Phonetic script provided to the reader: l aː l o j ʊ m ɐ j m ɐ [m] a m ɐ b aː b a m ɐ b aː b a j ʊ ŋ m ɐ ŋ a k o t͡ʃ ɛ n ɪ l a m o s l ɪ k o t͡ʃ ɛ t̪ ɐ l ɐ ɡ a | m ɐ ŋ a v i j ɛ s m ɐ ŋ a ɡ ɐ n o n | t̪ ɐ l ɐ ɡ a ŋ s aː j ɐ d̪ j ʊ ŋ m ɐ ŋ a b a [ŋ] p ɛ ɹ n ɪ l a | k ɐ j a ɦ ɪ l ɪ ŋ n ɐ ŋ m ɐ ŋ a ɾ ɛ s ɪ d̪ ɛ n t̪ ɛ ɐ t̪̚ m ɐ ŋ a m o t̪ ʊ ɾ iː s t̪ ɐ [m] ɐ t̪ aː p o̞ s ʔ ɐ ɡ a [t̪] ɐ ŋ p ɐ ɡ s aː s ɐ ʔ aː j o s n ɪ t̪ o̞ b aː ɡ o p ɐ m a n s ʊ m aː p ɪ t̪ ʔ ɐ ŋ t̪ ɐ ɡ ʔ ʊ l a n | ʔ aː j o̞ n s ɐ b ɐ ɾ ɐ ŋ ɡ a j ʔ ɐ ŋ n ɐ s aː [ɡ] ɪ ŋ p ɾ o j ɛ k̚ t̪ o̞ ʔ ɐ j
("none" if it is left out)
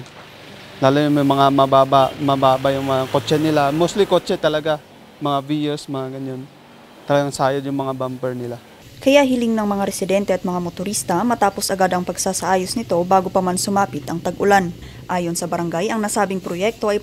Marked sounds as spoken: ŋ, m, m, d̪, b

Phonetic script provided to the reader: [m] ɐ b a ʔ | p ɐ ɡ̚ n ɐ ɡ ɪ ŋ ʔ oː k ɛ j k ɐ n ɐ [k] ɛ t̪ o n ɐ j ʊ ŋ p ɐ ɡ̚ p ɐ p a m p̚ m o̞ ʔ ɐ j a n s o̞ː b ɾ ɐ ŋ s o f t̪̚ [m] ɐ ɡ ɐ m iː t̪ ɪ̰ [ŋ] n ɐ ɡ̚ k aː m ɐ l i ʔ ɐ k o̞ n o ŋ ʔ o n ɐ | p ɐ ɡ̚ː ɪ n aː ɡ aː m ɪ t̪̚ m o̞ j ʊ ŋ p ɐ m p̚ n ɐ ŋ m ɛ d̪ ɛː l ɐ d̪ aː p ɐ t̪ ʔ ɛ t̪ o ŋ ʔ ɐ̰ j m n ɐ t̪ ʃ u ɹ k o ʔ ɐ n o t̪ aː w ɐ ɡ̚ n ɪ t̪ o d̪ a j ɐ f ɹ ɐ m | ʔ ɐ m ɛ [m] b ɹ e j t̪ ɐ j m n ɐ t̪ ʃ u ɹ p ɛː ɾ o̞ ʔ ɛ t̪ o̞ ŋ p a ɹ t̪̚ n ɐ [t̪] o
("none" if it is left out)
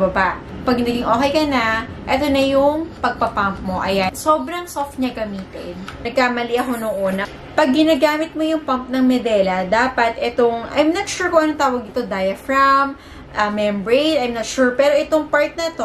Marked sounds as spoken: b, ʔ, ɲ, n, m, t̪

